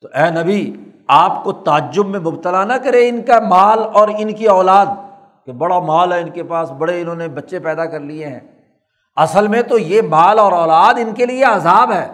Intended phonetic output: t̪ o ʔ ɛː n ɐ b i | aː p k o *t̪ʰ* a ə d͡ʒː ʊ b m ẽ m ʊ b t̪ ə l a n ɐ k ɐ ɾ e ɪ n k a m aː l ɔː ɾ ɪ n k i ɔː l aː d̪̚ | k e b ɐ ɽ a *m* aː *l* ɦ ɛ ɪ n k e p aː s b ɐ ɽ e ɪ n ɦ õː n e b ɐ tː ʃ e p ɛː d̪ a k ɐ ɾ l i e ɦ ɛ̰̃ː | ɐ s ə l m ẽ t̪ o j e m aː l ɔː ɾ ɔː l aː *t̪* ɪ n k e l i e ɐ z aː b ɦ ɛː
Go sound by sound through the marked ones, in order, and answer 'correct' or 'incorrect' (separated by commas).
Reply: incorrect, correct, correct, incorrect